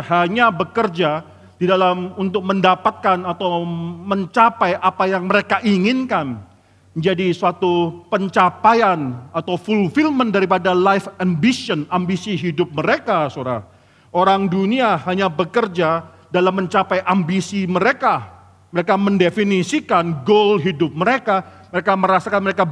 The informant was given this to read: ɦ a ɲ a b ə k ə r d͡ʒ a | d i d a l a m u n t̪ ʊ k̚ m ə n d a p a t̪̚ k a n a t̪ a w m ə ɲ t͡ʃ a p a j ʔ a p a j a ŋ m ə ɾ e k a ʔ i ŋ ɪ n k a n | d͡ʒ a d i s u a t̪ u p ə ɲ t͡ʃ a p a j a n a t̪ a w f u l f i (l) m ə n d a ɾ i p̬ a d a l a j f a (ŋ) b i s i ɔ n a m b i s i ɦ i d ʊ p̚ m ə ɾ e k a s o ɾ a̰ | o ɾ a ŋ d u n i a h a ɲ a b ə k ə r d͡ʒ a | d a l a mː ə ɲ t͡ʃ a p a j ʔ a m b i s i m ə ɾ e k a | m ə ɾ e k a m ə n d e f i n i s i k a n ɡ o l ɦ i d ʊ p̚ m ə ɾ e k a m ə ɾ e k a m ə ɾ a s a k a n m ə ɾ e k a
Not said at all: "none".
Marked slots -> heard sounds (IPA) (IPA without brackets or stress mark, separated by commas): l, m